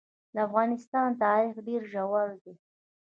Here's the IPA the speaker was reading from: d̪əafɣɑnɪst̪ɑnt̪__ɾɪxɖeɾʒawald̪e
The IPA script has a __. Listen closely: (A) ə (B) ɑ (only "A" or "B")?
B